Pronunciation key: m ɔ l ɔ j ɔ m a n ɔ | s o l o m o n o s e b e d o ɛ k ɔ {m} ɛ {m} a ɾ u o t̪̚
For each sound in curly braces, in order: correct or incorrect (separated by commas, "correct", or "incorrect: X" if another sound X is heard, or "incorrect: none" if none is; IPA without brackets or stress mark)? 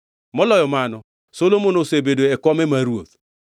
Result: correct, correct